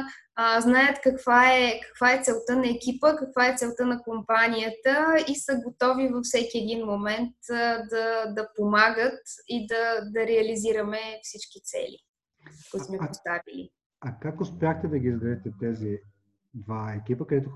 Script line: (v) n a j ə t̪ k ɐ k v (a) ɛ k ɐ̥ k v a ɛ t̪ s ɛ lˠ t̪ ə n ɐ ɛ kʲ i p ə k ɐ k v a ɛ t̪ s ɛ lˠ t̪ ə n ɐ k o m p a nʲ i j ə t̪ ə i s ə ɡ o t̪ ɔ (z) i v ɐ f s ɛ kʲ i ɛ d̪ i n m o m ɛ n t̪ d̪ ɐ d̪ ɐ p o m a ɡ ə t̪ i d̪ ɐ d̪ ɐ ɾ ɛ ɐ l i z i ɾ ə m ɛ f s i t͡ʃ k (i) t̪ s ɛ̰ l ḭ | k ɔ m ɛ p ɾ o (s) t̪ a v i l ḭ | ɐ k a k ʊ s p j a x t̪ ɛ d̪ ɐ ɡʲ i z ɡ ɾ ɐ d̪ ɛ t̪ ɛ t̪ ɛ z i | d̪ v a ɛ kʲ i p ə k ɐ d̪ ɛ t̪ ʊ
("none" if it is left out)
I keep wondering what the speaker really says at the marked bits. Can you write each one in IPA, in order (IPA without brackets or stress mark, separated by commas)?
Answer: z, a, v, i, s